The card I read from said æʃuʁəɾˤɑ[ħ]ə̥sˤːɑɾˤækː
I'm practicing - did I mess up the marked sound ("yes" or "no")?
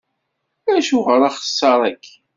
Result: yes